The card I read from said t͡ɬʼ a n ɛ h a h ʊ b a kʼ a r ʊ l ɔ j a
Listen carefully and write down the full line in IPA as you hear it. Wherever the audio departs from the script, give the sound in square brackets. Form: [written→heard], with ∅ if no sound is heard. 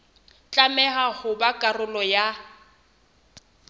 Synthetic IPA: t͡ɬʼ a [n→m] ɛ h a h ʊ b a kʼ a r ʊ l ɔ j a